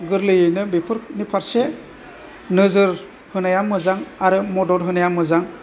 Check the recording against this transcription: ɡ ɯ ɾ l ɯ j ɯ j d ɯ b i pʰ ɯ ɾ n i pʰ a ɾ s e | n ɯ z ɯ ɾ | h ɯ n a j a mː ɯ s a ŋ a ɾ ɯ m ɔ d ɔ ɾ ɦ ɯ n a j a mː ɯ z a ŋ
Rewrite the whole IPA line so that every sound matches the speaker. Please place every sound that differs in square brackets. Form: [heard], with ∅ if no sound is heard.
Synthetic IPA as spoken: ɡ ɯ ɾ l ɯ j ɯ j [n] ɯ b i pʰ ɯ ɾ n i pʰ a ɾ s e | n ɯ z ɯ ɾ | h ɯ n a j a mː ɯ [z] a ŋ a ɾ ɯ m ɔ d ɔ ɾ ɦ ɯ n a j a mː ɯ z a ŋ